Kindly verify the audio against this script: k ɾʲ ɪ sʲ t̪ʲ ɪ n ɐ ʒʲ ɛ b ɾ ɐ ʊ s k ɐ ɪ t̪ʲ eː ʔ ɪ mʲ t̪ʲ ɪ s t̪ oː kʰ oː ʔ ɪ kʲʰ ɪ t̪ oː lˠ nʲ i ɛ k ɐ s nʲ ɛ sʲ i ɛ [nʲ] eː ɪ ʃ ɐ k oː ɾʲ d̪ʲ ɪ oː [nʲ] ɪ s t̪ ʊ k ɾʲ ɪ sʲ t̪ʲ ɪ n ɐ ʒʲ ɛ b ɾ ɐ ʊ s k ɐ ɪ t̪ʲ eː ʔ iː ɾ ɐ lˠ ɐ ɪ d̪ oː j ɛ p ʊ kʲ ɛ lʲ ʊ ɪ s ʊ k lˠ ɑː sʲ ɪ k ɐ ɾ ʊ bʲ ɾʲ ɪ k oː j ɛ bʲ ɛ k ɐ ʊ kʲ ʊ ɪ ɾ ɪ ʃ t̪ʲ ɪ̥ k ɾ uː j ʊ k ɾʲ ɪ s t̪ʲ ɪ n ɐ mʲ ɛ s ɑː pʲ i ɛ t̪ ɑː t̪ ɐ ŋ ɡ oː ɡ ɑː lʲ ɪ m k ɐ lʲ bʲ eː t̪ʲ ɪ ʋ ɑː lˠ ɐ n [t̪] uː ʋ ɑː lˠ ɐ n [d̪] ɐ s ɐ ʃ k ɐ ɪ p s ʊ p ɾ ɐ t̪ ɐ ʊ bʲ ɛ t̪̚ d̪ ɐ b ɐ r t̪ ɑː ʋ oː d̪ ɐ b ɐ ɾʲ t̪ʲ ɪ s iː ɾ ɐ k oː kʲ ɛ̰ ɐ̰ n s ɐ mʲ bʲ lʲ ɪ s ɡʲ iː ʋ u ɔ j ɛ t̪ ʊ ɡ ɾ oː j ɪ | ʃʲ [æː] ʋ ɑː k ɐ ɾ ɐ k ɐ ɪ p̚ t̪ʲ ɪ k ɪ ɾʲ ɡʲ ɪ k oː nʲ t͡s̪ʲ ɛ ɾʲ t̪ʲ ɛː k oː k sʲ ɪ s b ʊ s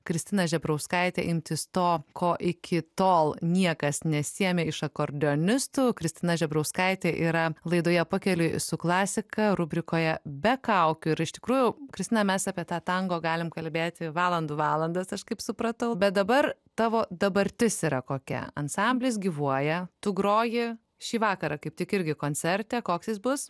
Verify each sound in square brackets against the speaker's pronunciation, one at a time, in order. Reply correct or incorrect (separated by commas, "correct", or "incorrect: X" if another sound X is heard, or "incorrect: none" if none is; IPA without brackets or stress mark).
incorrect: mʲ, correct, incorrect: d̪, correct, incorrect: iː